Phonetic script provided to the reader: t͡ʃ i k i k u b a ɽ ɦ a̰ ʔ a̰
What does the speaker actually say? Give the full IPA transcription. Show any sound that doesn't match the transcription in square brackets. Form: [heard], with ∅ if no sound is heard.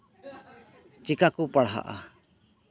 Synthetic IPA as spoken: t͡ʃ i k [a] k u [p] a ɽ ɦ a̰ ʔ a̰

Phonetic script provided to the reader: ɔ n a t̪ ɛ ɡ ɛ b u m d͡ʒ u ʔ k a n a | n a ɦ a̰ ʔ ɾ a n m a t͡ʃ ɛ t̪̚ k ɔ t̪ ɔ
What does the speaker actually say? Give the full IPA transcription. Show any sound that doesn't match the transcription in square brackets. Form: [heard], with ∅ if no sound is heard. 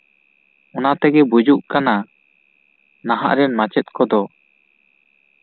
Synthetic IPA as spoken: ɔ n a t̪ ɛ ɡ ɛ b u [∅] d͡ʒ u ʔ k a n a | n a ɦ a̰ ʔ ɾ [ɛ] n m a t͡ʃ ɛ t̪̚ k ɔ [d̪] ɔ

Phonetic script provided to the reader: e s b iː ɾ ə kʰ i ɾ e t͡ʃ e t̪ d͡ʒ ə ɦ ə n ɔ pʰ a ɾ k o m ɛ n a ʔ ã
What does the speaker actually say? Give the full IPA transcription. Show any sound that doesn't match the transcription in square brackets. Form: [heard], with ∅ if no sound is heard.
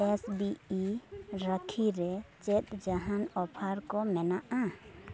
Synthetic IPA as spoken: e s b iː ɾ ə kʰ i ɾ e t͡ʃ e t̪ d͡ʒ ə ɦ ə n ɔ pʰ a ɾ k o m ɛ n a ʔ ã

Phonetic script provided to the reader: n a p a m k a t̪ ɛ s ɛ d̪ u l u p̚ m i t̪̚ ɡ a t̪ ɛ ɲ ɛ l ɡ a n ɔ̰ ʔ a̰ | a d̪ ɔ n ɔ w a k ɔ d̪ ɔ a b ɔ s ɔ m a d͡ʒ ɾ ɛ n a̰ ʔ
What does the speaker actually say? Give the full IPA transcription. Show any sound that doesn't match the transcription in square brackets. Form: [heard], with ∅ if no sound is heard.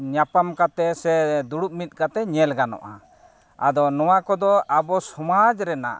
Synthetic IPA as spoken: [ɲ] a p a m k a t̪ ɛ s ɛ d̪ u [ɽ] u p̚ m i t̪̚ [k] a t̪ ɛ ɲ ɛ l ɡ a n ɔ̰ ʔ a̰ | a d̪ ɔ n ɔ w a k ɔ d̪ ɔ a b ɔ s ɔ m a d͡ʒ ɾ ɛ n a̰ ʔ

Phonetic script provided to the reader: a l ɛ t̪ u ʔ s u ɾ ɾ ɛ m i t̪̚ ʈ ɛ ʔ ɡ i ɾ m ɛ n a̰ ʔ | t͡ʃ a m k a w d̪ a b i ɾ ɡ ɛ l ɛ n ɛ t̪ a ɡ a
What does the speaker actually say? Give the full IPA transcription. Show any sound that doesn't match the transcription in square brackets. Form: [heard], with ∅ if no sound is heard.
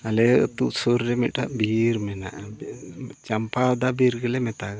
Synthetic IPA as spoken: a l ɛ t̪ u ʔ s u ɾ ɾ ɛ m i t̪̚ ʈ [a] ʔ [b] i ɾ m ɛ n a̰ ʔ | t͡ʃ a m [p] a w d̪ a b i ɾ ɡ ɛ l ɛ [m] ɛ t̪ a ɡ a

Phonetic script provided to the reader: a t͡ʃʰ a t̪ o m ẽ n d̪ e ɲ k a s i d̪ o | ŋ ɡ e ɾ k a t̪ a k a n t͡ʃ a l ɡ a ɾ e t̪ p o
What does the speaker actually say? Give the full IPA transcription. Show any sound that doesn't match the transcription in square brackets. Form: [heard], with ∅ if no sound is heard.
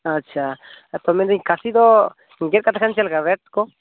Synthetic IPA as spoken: a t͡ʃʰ a t̪ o m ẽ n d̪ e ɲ k a s i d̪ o | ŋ ɡ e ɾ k a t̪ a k a n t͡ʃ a l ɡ a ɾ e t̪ [k] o

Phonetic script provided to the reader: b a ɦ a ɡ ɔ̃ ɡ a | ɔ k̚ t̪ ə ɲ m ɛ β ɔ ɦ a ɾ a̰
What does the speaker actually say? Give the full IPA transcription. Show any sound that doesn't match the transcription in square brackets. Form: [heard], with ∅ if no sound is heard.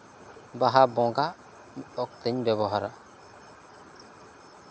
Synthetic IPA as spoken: b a ɦ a [b] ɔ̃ ɡ a | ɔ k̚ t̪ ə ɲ [b] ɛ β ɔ ɦ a ɾ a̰

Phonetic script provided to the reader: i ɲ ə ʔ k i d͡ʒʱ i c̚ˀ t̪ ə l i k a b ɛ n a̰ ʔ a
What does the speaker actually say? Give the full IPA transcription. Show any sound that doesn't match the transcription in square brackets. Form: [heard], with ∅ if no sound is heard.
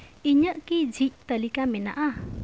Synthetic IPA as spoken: i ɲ ə ʔ k i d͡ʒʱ i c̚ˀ t̪ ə l i k a [m] ɛ n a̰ ʔ a

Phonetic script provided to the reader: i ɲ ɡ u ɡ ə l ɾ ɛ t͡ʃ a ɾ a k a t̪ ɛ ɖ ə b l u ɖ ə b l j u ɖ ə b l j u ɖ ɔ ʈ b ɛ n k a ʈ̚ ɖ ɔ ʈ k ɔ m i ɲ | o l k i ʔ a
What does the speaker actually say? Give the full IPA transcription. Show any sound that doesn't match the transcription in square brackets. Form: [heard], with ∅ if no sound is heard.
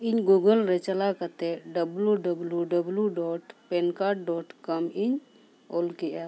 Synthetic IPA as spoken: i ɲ ɡ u ɡ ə l ɾ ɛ t͡ʃ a [l] a k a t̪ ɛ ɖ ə b l u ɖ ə b l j u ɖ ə b l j u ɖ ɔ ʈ [p] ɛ n k a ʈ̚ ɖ ɔ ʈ k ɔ m i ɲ | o l k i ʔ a

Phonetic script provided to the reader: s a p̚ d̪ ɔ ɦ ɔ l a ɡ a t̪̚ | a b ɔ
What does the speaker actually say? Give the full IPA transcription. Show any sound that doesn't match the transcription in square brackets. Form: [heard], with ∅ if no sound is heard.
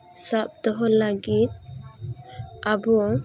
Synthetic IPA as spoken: s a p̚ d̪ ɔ ɦ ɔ l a ɡ [i] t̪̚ | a b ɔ

